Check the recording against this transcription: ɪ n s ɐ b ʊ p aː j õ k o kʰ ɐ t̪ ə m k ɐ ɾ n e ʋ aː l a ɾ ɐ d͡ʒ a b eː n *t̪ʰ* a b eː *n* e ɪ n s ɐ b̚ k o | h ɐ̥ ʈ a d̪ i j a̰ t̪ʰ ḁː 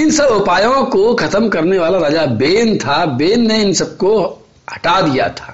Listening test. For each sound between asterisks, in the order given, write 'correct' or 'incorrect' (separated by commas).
correct, incorrect